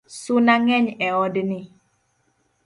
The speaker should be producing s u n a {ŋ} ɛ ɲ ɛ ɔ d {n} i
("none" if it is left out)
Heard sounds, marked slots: ŋ, n

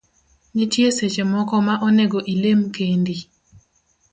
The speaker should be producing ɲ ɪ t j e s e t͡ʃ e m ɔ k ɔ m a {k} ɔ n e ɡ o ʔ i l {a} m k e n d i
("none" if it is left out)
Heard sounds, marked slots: ʔ, e

